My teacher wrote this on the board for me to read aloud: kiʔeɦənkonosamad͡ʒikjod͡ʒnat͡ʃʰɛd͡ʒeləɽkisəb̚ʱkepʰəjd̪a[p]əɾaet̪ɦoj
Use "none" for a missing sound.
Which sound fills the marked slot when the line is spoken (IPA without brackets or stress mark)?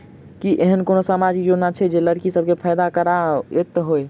k